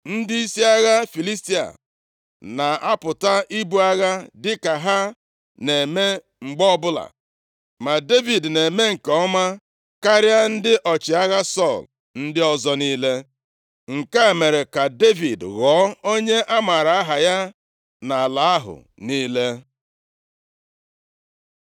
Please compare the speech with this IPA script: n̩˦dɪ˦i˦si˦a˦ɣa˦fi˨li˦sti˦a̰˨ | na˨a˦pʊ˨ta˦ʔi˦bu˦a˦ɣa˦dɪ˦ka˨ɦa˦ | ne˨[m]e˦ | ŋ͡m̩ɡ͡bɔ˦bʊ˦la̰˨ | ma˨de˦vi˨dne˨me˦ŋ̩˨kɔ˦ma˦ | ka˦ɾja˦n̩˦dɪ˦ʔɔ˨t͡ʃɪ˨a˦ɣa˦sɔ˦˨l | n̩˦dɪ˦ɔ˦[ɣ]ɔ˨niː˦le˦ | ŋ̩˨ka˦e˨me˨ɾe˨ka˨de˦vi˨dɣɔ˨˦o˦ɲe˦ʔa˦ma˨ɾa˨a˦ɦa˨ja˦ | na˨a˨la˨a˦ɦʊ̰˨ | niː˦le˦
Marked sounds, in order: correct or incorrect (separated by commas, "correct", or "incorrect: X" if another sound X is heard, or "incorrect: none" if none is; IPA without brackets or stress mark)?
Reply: correct, incorrect: z